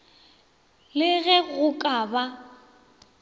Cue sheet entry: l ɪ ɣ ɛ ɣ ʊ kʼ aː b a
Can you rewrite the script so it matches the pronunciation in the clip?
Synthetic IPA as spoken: l ɪ ɣ ɛ ɣ ʊ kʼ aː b a